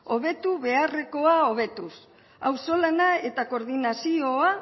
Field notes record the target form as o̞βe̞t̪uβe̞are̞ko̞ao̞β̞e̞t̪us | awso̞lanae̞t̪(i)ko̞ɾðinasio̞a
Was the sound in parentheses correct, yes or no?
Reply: no